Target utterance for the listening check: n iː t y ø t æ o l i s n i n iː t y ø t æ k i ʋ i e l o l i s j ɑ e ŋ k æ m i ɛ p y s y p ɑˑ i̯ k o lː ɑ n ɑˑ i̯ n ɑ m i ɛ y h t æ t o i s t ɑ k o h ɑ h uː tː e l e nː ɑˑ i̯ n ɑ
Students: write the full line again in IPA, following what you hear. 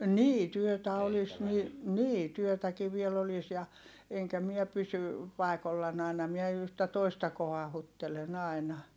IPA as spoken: n iː t y ø t æ o l i s n i n iː t y ø t æ k i ʋ i e l o l i s j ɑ e ŋ k æ m i ɛ p y s y p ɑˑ i̯ k o lː ɑ n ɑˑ i̯ n ɑ m i ɛ y h t æ t o i s t ɑ k o h ɑ h u tː e l e n ɑˑ i̯ n ɑ